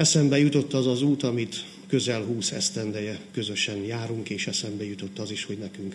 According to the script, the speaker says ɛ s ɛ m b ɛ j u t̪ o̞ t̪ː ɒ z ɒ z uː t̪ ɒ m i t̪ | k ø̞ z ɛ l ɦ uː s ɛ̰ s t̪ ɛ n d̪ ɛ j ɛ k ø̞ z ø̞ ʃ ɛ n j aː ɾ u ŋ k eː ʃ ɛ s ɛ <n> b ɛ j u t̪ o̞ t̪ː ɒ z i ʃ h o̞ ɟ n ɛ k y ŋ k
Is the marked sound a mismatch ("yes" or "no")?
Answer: yes